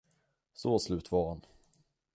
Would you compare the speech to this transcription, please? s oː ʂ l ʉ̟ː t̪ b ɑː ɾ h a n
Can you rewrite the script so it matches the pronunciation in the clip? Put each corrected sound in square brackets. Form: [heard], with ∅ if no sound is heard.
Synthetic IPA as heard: s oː [s] l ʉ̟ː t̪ [v] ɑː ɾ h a n